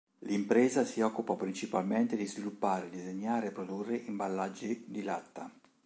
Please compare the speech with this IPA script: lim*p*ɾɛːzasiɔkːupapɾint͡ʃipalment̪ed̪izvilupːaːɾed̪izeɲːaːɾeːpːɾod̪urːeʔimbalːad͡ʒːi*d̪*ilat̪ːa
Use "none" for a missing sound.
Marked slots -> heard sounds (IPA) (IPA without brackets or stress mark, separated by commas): p, d̪